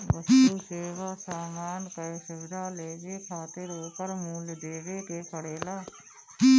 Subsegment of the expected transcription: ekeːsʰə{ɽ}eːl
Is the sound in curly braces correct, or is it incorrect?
correct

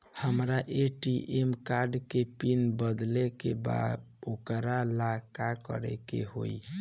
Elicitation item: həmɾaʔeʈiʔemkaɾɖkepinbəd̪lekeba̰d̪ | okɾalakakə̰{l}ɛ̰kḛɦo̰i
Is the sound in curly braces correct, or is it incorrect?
incorrect: ɾ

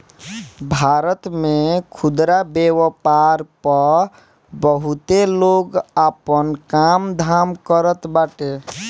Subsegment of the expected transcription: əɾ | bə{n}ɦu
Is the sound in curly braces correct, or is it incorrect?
incorrect: none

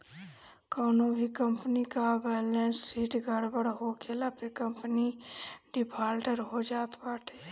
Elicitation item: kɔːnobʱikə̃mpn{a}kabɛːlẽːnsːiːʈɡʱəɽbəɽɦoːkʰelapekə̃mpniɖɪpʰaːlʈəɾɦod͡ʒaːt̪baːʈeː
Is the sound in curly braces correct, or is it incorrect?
incorrect: i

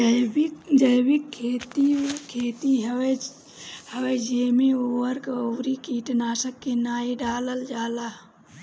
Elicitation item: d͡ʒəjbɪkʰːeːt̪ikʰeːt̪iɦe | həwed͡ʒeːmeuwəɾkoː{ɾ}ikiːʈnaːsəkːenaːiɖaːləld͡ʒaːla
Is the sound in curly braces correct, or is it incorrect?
correct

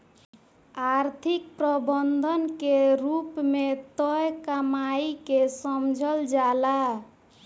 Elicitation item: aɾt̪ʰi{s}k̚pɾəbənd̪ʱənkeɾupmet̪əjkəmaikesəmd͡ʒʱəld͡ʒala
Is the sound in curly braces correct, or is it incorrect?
incorrect: none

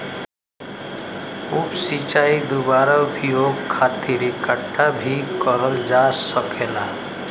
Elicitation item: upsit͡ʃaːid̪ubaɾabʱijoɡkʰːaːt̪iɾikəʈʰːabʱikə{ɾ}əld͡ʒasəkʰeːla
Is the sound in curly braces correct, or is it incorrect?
correct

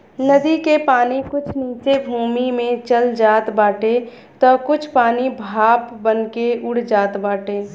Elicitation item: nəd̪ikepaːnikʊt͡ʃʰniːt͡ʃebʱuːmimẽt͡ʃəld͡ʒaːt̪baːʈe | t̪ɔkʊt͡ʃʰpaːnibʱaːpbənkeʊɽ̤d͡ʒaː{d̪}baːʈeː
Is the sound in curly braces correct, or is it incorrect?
incorrect: t̪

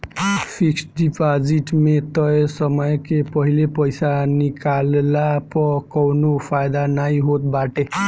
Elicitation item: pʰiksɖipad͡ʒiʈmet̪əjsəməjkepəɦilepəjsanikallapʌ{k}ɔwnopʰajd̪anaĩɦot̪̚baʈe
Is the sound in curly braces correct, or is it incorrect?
correct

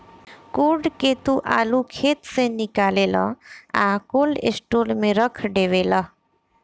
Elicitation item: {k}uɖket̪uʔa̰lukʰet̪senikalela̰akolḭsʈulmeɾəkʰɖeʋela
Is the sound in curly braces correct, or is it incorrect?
correct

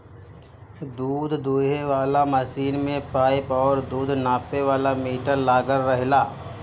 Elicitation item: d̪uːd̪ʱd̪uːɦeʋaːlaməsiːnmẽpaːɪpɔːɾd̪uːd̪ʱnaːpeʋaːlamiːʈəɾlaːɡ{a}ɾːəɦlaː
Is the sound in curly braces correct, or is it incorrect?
incorrect: ə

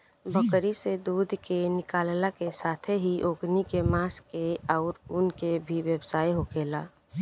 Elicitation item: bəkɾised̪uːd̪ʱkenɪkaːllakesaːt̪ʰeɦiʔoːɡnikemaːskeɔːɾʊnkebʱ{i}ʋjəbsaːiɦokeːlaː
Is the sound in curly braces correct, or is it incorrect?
correct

